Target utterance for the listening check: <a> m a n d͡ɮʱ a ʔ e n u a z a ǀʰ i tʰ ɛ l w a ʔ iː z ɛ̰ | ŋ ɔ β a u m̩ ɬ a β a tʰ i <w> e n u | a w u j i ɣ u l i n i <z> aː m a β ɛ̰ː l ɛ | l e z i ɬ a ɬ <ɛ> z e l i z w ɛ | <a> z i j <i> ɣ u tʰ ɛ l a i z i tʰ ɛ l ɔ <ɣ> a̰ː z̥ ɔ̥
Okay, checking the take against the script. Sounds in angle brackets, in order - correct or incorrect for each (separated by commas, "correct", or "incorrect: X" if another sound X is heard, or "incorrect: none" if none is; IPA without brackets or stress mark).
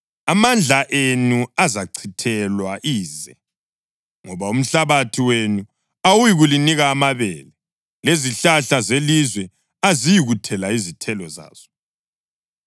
correct, correct, incorrect: ɣ, incorrect: a, correct, correct, incorrect: z